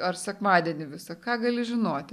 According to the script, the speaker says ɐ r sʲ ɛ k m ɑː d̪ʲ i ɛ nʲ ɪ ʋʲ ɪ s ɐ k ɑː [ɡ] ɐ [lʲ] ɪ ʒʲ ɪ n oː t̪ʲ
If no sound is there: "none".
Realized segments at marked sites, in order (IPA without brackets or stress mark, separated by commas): ɡ, lʲ